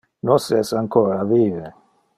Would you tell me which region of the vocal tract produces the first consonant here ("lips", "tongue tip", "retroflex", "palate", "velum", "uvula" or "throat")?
tongue tip